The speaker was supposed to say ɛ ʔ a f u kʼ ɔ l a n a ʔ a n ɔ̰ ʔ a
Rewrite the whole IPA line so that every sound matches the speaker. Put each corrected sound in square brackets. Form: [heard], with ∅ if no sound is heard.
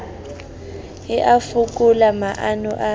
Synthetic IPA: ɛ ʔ a f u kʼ [u] l a [m] a ʔ a n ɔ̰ ʔ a